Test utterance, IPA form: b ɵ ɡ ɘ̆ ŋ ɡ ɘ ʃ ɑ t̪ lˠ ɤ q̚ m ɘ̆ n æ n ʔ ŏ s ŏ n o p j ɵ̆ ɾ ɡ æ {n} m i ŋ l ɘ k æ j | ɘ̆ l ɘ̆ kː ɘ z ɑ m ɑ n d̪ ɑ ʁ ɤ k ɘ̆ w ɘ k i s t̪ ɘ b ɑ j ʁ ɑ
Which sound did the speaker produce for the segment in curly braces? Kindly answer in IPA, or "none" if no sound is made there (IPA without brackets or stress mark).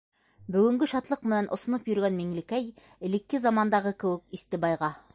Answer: n